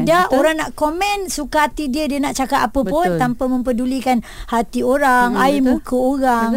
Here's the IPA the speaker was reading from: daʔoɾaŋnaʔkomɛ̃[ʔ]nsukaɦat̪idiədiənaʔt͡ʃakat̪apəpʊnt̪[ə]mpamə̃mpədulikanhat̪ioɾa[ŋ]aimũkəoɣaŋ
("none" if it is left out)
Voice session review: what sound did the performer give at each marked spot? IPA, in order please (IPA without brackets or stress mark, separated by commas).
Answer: none, a, ŋ